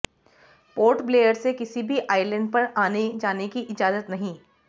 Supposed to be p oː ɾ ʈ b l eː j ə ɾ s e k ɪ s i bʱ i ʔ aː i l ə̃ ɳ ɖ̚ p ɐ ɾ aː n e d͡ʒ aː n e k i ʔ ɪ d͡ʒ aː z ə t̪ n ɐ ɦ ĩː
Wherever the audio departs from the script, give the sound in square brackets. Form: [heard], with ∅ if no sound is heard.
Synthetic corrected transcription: p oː ɾ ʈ b l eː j ə ɾ s e k ɪ s i bʱ i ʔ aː [ɪ] l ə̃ ɳ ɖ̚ p ɐ ɾ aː n e d͡ʒ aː n e k i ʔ ɪ d͡ʒ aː z ə t̪ n ɐ ɦ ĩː